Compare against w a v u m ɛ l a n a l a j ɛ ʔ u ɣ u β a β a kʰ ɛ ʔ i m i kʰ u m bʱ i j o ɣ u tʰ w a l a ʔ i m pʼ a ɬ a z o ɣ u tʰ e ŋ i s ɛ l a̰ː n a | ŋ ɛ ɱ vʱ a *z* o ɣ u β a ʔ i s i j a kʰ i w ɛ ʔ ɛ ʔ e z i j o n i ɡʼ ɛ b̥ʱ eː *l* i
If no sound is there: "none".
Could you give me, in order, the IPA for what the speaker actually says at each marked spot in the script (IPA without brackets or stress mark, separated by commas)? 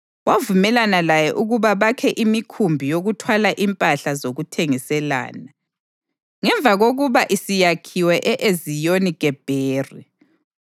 ɣ, r